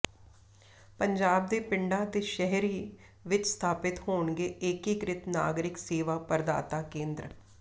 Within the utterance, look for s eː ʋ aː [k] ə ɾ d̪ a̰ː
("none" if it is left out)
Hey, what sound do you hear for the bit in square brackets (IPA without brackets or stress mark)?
p